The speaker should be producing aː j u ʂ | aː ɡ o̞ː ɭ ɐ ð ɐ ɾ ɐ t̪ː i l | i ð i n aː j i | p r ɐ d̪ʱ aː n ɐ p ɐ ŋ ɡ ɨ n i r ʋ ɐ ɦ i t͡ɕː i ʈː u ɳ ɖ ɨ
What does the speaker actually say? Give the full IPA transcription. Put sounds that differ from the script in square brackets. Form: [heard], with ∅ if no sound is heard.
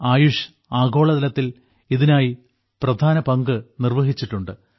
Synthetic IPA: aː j u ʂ | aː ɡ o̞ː ɭ ɐ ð ɐ [l] ɐ t̪ː i l | i ð i n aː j i | p r ɐ d̪ʱ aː n ɐ p ɐ ŋ ɡ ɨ n i r ʋ ɐ ɦ i t͡ɕː i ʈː u ɳ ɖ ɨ